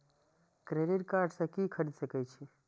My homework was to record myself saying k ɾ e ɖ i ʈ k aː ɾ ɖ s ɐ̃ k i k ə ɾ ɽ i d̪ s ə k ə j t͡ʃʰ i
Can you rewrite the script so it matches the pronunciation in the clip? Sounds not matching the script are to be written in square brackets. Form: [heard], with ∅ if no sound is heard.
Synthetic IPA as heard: k ɾ e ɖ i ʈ k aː ɾ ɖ s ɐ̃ k i [kʰ] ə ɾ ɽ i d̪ s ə k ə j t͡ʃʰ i